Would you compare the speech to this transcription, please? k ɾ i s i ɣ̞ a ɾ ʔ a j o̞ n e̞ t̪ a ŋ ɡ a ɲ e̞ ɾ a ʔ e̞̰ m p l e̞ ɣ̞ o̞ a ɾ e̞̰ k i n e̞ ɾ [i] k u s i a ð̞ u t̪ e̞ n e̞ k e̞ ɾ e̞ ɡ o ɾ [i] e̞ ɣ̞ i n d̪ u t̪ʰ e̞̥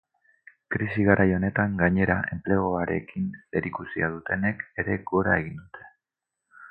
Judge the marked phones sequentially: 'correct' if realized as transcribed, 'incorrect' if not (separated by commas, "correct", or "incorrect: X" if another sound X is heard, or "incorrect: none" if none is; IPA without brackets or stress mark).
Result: correct, incorrect: a